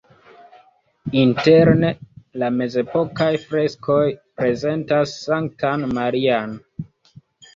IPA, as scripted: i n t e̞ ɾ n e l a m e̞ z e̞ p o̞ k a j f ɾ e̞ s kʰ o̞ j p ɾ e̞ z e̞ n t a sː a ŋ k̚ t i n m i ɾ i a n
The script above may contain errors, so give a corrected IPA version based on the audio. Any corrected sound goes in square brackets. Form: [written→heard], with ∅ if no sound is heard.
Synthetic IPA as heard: i n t e̞ ɾ n e l a m e̞ z e̞ p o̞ k a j f ɾ e̞ s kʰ o̞ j p ɾ e̞ z e̞ n t a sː a ŋ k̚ t [i→a] n m [i→a] ɾ i a n